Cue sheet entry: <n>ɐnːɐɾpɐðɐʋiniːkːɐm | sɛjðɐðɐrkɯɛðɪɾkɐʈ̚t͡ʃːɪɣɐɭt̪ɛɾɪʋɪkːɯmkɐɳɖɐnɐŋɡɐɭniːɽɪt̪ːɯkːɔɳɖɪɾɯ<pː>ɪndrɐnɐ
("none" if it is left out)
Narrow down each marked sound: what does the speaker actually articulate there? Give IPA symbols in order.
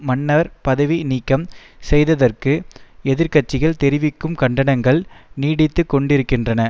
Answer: m, kː

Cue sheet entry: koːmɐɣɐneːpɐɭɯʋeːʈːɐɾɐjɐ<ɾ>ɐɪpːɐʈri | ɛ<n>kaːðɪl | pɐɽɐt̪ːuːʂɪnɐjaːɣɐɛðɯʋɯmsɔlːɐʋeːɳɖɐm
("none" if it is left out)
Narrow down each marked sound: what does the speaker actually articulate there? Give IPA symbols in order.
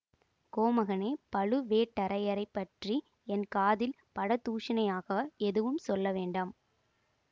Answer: ɾ, n

